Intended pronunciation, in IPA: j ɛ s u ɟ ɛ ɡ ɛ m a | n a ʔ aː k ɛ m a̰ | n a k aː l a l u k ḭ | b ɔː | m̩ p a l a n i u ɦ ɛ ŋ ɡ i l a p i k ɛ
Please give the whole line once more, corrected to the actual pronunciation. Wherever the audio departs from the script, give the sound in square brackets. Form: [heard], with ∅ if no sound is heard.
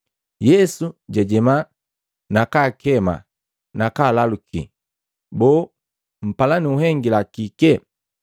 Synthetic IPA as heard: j ɛ s u ɟ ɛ [ɟ] ɛ m a | n a [k] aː k ɛ m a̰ | n a k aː l a l u k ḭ | b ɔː | m̩ p a l a n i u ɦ ɛ ŋ ɡ i l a [k] i k ɛ